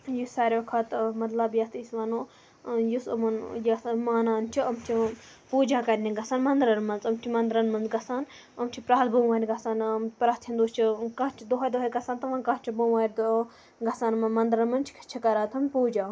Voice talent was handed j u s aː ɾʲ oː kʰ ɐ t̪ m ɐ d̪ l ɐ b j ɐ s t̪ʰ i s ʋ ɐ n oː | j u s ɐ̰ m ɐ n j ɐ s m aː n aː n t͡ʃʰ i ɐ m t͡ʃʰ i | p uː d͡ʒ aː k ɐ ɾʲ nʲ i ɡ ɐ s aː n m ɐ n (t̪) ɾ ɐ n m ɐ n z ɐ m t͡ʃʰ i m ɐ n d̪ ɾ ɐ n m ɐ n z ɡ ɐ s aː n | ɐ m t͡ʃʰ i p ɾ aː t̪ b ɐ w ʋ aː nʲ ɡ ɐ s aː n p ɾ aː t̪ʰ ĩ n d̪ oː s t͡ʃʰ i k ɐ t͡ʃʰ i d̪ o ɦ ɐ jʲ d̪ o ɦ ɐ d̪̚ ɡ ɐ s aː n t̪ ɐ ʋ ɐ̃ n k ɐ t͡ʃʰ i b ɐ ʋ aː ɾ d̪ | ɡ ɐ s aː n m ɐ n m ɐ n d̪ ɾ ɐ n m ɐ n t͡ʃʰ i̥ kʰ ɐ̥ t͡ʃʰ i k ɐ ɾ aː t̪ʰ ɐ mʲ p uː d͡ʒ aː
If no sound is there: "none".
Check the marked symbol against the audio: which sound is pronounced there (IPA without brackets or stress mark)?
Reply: d̪